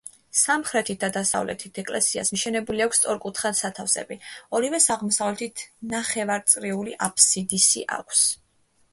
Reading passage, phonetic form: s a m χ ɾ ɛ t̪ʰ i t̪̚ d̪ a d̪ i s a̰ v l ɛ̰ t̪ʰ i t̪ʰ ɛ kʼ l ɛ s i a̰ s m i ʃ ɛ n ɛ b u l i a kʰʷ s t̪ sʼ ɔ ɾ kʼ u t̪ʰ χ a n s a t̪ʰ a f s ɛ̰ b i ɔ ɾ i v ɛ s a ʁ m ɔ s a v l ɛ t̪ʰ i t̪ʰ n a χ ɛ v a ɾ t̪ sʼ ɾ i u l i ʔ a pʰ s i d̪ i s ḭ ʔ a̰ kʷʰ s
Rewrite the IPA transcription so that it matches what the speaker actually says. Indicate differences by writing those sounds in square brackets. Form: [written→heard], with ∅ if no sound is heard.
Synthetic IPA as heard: s a m χ ɾ ɛ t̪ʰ i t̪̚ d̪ a d̪ [i→a] s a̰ v l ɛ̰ t̪ʰ i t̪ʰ ɛ kʼ l ɛ s i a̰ s m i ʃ ɛ n ɛ b u l i a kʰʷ s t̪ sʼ ɔ ɾ kʼ u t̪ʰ χ a n s a t̪ʰ a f s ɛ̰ b i ɔ ɾ i v ɛ s a ʁ m ɔ s a v l ɛ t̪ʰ i t̪ʰ n a χ ɛ v a ɾ t̪ sʼ ɾ i u l i ʔ a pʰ s i d̪ i s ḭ ʔ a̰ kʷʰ s